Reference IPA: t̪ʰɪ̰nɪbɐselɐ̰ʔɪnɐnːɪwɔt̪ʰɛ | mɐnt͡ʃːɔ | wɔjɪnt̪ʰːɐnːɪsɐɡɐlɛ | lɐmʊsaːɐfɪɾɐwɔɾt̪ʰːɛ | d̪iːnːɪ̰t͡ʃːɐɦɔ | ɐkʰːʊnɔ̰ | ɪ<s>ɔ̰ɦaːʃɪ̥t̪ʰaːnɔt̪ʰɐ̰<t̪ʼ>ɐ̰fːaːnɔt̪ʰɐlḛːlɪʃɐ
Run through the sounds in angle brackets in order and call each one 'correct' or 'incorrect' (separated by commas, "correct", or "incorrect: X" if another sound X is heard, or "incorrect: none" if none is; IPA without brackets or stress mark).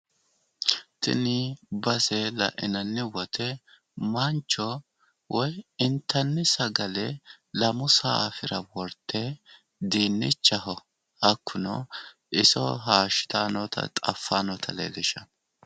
correct, correct